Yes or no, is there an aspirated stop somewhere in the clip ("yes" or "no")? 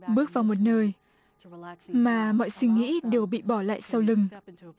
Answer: no